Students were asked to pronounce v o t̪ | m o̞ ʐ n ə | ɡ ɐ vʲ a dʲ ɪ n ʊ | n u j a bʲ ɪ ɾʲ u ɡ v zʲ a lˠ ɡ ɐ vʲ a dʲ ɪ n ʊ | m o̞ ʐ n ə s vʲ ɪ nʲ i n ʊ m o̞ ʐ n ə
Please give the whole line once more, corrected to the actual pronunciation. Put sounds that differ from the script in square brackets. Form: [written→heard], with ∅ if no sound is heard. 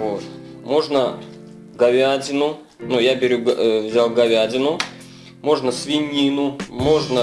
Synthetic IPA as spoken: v o t̪ | m o̞ ʐ n ə | ɡ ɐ vʲ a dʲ ɪ n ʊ | n u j a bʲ ɪ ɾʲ u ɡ v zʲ a lˠ ɡ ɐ vʲ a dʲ ɪ n ʊ | m o̞ ʐ n ə s vʲ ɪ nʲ i n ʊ m o̞ ʐ n ə